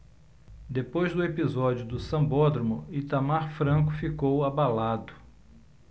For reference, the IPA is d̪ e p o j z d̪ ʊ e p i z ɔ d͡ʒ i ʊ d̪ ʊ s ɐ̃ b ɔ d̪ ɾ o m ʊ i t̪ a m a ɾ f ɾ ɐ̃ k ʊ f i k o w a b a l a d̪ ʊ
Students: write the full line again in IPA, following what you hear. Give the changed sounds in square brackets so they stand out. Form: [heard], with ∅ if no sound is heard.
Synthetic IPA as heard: d̪ e p o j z d̪ ʊ e p i z ɔ d͡ʒ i ʊ d̪ ʊ s ɐ̃ b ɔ d̪ ɾ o m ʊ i t̪ a m a ɾ f ɾ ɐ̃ k ʊ f i k o w a b a l a d̪ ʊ